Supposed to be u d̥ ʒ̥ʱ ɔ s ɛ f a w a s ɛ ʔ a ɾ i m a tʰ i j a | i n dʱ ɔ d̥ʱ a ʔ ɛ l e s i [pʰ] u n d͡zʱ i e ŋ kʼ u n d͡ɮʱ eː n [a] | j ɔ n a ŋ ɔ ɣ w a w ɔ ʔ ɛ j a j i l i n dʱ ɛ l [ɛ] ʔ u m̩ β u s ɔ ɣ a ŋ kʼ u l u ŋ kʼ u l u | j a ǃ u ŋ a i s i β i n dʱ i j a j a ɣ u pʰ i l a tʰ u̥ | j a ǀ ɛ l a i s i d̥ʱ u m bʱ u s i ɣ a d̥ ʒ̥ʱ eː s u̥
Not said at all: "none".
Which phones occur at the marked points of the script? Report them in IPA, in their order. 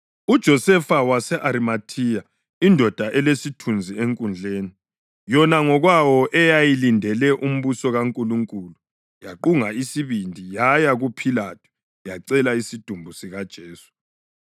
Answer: tʰ, i, ɛ

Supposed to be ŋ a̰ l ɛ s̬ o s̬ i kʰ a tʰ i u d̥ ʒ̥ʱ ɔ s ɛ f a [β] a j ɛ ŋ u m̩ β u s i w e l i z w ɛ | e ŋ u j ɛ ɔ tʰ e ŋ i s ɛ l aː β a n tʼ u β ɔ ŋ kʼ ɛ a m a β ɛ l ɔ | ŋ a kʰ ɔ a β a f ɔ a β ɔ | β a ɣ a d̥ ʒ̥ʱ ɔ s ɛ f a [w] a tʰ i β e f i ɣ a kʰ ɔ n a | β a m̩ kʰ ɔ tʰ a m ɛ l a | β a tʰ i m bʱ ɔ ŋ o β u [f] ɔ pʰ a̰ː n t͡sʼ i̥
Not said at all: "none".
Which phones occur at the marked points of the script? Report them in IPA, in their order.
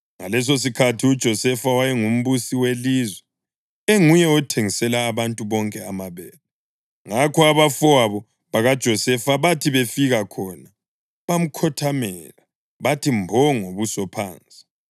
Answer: w, β, s

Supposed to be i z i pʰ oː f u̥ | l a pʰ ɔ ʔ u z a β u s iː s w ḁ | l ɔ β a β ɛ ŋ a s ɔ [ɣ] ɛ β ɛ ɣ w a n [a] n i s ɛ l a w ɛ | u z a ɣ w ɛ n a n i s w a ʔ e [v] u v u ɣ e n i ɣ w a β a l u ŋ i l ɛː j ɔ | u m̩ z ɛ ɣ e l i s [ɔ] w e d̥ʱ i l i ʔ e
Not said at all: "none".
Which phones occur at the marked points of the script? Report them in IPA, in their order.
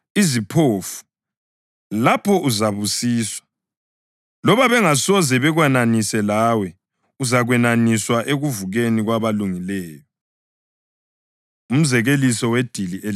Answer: z, a, ɣ, ɔ

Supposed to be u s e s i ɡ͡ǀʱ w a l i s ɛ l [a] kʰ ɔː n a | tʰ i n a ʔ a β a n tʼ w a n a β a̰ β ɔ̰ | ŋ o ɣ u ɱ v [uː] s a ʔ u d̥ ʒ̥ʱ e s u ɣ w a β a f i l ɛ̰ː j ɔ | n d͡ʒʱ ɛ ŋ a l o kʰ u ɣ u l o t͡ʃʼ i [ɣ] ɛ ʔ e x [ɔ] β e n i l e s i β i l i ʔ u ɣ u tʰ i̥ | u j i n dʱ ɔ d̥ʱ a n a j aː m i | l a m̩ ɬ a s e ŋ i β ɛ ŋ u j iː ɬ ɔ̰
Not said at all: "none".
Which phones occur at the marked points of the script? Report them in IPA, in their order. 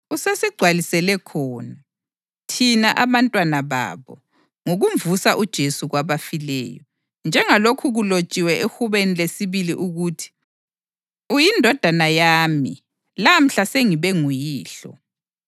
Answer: ɛ, u, w, u

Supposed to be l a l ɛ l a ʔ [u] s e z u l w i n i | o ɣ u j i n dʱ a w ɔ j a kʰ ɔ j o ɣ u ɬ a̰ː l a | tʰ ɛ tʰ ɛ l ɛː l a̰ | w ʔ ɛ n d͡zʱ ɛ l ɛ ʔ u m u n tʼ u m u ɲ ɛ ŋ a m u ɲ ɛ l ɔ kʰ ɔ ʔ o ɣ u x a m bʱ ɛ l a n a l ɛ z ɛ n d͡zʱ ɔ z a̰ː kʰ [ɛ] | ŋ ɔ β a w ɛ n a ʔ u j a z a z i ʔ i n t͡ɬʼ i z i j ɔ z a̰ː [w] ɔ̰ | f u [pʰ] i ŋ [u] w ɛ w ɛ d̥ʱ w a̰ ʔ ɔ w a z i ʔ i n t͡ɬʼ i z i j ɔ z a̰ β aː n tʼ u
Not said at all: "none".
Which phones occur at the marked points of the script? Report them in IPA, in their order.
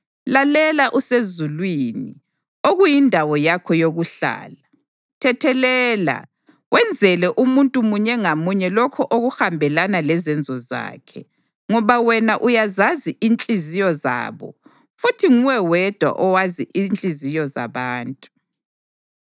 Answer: u, ɛ, β, tʰ, u

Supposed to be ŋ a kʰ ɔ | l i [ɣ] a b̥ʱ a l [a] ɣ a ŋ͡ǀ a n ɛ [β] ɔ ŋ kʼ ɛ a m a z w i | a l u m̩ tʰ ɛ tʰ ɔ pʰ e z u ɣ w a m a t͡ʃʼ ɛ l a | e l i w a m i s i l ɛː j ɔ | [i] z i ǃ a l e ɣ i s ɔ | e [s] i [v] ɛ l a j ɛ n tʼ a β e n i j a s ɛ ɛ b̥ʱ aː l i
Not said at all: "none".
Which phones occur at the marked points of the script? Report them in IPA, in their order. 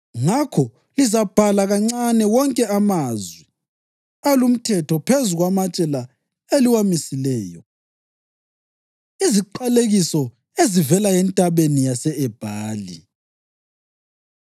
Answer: z, a, w, i, z, v

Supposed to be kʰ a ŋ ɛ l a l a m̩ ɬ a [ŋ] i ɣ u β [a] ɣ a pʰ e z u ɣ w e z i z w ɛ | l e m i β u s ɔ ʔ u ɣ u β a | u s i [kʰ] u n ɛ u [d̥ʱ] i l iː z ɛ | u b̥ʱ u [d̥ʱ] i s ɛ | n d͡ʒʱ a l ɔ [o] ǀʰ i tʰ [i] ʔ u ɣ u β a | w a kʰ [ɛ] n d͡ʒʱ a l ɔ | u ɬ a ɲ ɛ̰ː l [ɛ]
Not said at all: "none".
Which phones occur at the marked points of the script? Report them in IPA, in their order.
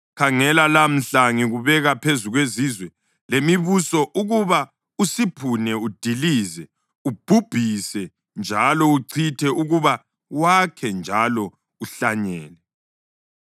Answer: ŋ, ɛ, pʰ, d̥ʱ, b̥ʱ, u, ɛ, ɛ, ɛ

